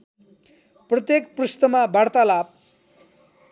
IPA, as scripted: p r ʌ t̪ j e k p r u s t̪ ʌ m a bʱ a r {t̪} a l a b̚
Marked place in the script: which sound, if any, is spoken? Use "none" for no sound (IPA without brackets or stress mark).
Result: t̪